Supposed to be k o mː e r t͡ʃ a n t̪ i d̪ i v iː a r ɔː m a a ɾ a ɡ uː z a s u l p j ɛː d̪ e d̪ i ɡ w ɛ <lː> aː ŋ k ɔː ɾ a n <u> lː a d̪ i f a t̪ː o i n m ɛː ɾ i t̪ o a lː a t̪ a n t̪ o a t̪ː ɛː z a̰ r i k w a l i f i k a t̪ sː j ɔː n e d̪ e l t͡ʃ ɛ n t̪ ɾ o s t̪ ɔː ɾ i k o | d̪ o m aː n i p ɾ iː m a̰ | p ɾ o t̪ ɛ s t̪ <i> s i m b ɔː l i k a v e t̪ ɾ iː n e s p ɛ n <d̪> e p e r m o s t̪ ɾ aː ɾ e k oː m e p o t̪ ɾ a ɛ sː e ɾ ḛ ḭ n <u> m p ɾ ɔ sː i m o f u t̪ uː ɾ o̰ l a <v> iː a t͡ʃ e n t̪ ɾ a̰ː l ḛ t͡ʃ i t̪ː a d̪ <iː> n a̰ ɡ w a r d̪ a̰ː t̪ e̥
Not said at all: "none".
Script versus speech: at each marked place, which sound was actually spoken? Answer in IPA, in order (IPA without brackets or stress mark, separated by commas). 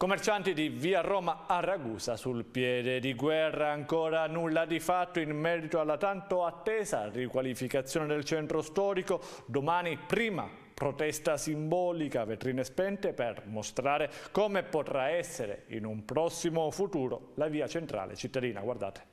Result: rː, u, a, t̪, u, v, iː